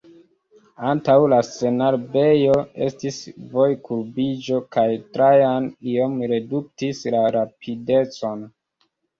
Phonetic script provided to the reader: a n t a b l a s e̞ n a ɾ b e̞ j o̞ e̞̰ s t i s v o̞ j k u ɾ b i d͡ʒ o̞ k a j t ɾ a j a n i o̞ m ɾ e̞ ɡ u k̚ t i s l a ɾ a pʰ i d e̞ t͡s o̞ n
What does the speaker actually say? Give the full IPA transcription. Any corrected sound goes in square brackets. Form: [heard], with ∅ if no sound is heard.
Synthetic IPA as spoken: a n t a [w] l a s e̞ n a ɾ b e̞ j o̞ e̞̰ s t i s v o̞ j k u ɾ b i d͡ʒ o̞ k a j t ɾ a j a n i o̞ m ɾ e̞ [d] u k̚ t i s l a ɾ a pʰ i d e̞ t͡s o̞ n